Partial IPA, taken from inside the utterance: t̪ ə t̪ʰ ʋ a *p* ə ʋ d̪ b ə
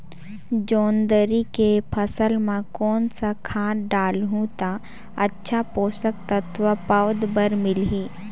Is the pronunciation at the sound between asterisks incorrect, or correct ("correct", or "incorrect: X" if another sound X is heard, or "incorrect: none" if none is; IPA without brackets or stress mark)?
correct